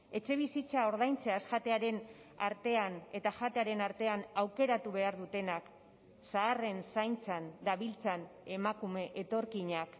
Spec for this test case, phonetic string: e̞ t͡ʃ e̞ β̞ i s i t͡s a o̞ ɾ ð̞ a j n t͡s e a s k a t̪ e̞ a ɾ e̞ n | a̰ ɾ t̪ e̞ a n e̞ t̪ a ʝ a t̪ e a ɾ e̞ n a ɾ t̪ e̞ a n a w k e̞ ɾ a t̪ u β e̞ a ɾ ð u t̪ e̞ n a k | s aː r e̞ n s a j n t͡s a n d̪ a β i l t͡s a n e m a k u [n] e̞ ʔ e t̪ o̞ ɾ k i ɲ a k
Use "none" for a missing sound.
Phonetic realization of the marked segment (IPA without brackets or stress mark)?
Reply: m